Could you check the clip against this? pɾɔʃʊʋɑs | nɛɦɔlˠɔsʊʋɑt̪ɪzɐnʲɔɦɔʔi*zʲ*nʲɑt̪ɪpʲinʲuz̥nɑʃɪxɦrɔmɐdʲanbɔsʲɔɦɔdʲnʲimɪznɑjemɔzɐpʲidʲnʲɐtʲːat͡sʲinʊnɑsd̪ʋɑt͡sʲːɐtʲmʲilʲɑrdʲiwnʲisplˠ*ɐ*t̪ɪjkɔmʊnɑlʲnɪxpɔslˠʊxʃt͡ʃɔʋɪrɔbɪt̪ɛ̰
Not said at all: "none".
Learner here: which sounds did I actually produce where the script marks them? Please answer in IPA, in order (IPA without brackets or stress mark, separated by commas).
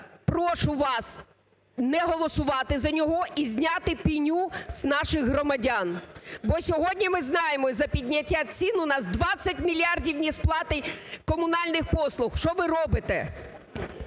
zʲ, ɑ